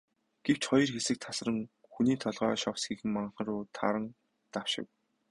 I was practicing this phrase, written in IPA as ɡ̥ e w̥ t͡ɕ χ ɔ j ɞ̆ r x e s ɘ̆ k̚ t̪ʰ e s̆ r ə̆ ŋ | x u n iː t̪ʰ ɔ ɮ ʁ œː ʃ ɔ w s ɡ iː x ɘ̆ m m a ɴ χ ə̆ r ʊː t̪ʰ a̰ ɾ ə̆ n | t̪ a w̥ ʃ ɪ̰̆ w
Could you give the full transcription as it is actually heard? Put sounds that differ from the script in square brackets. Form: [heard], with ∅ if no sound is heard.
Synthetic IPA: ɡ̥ e w̥ t͡ɕ χ ɔ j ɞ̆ r x e s ɘ̆ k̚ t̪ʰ [a] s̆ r ə̆ ŋ | x u n iː t̪ʰ ɔ ɮ ʁ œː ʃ ɔ w s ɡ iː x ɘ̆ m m a ɴ χ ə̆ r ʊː t̪ʰ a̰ ɾ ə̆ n | t̪ a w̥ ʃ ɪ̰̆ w